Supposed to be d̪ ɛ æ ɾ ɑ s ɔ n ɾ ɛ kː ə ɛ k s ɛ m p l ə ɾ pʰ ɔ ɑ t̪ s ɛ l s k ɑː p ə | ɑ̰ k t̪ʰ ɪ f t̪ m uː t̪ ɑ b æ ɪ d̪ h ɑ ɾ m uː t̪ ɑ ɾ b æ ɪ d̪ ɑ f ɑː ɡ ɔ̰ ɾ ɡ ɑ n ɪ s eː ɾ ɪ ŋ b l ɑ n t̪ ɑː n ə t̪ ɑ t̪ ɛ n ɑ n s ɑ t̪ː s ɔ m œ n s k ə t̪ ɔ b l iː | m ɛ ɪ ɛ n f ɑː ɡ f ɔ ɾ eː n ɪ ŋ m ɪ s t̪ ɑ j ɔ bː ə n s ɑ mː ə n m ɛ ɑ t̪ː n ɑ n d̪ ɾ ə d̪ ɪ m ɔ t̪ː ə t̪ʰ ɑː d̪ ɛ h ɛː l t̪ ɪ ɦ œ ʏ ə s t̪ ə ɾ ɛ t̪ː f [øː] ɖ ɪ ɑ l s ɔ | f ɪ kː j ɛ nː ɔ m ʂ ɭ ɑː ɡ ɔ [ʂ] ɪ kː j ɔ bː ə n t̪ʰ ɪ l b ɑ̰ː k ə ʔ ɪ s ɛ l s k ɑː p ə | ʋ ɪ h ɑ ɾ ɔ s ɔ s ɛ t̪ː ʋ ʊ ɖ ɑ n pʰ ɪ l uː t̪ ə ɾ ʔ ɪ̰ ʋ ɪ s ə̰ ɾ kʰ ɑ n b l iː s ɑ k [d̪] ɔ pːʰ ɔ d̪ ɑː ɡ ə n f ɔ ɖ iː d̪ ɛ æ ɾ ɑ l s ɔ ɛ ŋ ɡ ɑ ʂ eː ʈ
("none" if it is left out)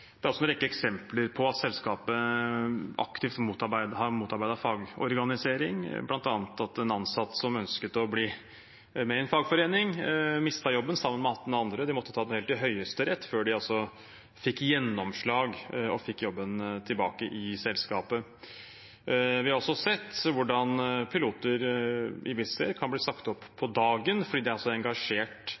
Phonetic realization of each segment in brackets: øː, f, t̪

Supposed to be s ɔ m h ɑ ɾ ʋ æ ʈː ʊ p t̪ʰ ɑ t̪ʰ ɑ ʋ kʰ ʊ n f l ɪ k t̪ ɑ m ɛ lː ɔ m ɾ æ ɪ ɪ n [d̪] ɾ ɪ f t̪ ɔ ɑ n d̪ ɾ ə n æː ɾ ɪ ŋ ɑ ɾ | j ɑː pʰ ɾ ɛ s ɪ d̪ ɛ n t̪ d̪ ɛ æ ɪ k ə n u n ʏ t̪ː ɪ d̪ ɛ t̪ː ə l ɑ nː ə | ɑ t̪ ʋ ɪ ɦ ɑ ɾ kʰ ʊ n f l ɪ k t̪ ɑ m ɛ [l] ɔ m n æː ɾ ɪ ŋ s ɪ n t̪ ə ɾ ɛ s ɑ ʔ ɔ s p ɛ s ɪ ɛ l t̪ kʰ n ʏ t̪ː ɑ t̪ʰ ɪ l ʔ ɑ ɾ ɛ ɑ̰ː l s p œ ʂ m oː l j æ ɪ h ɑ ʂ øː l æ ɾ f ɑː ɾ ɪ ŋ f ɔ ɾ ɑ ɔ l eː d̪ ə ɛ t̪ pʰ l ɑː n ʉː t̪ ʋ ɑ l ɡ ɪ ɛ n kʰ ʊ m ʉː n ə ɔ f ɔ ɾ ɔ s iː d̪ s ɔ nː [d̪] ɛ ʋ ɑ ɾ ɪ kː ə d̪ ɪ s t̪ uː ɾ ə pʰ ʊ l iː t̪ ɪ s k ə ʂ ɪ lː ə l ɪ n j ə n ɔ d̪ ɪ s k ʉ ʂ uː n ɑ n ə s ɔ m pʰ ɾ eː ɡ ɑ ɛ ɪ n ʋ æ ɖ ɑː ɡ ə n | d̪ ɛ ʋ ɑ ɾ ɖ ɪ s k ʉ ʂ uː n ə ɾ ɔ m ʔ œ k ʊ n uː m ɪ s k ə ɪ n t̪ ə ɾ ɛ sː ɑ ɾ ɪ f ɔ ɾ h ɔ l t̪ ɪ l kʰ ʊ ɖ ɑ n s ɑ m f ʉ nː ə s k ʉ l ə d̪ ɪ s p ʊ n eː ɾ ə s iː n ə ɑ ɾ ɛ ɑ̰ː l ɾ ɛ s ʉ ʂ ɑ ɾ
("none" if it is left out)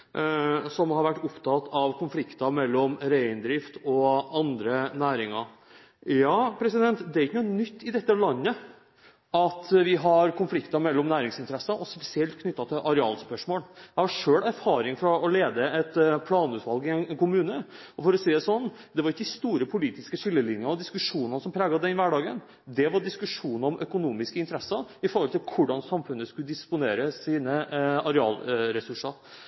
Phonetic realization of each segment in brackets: d̪, lː, d̪

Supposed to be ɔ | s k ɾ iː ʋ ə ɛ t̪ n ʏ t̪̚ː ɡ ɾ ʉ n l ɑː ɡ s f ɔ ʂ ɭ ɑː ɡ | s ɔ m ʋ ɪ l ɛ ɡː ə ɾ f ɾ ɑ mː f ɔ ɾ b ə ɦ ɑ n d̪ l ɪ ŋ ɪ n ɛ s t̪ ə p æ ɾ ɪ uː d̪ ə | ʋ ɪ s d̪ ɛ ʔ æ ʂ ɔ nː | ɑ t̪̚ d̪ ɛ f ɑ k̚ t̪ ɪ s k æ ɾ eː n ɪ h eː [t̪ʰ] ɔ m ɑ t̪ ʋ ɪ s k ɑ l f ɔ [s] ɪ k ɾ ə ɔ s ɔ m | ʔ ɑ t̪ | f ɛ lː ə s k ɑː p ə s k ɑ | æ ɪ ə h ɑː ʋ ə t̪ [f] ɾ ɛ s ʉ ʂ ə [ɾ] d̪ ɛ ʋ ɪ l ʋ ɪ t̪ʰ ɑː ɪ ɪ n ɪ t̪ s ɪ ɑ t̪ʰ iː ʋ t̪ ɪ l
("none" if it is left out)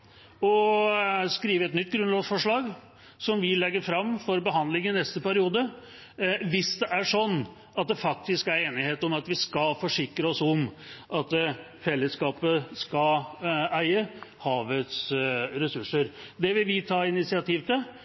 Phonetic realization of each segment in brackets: t̪, ʂ, s, ɾ

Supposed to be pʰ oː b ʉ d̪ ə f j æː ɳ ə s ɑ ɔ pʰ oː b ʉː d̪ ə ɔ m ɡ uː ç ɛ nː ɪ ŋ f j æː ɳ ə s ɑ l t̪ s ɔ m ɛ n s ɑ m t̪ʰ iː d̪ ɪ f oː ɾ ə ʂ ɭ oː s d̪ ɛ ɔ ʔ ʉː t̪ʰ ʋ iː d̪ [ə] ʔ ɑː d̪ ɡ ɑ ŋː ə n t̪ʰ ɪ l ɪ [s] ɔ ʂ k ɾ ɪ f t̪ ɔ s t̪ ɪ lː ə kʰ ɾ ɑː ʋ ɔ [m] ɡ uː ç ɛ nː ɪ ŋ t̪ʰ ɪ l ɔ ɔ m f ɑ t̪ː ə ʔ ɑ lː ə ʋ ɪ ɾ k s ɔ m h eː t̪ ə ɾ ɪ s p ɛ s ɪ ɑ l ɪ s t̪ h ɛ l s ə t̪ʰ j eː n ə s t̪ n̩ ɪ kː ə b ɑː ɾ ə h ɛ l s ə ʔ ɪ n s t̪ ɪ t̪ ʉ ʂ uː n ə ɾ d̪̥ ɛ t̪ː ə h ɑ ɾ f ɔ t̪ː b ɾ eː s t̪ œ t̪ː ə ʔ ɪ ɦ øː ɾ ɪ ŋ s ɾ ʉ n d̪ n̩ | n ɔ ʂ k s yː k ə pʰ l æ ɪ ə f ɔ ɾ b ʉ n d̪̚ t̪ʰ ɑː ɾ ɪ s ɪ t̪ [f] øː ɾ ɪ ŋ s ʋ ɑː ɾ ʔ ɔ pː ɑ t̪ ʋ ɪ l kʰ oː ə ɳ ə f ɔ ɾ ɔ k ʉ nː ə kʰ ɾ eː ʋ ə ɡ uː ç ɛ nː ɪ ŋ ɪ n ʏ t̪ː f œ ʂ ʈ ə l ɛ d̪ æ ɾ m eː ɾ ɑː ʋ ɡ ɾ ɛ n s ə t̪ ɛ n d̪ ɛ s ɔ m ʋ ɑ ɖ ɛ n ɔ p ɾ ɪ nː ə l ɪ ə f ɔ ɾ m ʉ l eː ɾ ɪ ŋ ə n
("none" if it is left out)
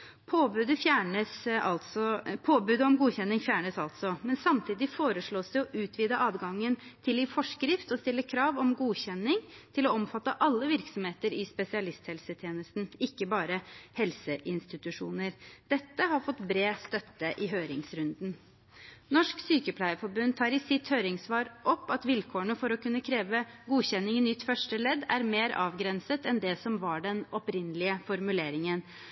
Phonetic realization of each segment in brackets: ə, f, m, h

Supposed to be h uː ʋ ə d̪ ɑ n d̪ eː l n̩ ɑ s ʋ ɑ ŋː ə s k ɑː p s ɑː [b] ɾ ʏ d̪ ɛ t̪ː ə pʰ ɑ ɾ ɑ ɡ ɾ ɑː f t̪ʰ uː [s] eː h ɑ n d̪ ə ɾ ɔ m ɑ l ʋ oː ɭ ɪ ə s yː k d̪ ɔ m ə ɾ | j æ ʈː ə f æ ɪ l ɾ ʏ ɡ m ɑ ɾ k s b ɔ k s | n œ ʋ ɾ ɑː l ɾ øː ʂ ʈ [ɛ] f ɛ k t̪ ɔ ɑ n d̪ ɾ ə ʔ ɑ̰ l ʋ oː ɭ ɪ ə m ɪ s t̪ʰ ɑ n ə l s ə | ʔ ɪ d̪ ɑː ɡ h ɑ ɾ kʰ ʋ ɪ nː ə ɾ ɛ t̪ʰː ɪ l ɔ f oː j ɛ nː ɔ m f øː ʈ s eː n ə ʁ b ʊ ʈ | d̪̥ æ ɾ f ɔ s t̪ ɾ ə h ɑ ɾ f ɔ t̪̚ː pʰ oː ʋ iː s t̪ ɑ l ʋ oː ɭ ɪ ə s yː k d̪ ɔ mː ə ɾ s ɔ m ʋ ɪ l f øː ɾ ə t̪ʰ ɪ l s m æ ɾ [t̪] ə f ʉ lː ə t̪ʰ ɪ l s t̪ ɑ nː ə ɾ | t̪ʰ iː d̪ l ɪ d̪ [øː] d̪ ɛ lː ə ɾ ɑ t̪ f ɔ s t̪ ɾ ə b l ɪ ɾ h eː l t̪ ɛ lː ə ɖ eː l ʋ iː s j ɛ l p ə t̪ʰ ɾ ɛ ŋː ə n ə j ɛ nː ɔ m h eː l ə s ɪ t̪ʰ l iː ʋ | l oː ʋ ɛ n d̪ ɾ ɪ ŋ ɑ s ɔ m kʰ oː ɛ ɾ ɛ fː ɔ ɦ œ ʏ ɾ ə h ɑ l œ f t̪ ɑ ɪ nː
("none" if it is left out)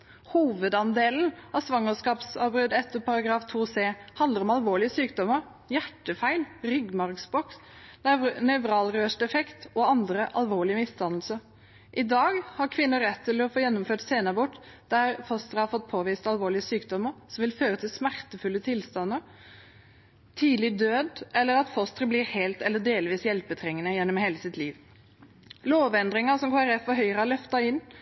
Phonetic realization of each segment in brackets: b, s, ɛ, t̪, øː

